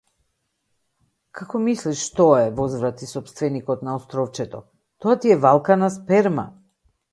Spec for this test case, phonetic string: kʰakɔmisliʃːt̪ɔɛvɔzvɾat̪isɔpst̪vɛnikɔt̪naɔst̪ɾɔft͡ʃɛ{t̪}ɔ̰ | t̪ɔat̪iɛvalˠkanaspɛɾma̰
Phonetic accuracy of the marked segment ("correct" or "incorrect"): correct